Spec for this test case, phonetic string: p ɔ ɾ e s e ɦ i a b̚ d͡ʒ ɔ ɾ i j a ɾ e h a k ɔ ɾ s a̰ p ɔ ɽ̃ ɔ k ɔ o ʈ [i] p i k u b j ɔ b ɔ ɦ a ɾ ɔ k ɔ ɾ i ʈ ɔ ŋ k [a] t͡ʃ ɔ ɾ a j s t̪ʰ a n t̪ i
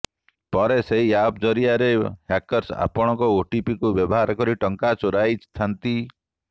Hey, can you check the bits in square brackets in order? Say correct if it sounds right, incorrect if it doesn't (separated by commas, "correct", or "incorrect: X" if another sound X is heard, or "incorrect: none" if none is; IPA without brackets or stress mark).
correct, correct